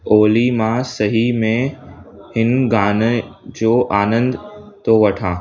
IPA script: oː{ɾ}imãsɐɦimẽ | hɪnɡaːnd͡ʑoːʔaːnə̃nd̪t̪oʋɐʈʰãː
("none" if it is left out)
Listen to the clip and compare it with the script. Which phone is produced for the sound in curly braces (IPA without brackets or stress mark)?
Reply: l